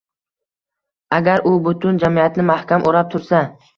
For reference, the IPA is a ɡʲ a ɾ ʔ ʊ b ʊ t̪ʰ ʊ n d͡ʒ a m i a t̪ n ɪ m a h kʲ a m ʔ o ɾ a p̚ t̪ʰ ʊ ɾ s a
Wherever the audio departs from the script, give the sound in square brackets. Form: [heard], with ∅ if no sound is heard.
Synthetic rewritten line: a ɡʲ a ɾ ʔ ʊ b ʊ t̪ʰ ʊ n d͡ʒ a m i a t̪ n ɪ m a h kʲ a m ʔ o ɾ a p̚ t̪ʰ ʊ ɾ s a